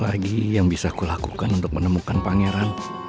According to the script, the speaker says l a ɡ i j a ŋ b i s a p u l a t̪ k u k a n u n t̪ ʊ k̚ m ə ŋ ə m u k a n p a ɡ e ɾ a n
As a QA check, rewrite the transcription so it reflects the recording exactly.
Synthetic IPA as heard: l a ɡ i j a ŋ b i s a k u l a k u k a n u n t̪ ʊ k̚ m ə n ə m u k a n p a ŋ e ɾ a n